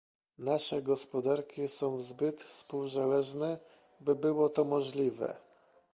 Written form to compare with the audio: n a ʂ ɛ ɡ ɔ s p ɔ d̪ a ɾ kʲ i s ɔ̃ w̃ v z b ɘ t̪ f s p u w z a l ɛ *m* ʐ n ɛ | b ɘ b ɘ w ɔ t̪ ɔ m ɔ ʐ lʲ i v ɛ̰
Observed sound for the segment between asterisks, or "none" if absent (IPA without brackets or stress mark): none